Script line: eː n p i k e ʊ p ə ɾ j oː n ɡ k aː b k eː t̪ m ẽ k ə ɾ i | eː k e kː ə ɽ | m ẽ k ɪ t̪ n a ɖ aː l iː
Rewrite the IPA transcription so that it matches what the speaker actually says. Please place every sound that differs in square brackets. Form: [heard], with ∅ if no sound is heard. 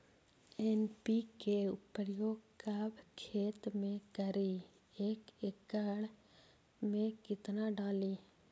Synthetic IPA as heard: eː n p i k e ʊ p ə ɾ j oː [∅] ɡ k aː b [kʰ] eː t̪ m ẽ k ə ɾ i | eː k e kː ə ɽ | m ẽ k ɪ t̪ n a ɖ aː l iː